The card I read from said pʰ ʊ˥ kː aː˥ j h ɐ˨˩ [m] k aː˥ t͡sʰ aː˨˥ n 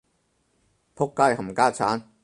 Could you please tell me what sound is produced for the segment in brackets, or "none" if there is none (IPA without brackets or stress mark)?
m